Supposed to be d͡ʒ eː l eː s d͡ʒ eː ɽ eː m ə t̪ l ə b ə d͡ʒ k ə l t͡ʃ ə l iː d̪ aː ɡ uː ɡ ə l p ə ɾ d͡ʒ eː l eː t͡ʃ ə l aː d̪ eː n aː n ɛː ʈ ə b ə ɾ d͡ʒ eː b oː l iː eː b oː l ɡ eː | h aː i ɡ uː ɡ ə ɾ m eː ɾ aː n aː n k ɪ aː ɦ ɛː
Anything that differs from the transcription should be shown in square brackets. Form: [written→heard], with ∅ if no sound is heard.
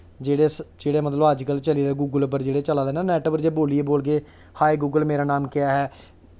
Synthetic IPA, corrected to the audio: d͡ʒ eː [l→ɽ] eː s d͡ʒ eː ɽ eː m ə t̪ l ə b ə d͡ʒ k ə l t͡ʃ ə l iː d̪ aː ɡ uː ɡ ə l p ə ɾ d͡ʒ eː [l→ɽ] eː t͡ʃ ə l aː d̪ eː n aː n ɛː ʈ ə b ə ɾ d͡ʒ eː b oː l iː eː b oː l ɡ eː | h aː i ɡ uː ɡ ə [ɾ→l] m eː ɾ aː n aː [n→m] k ɪ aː ɦ ɛː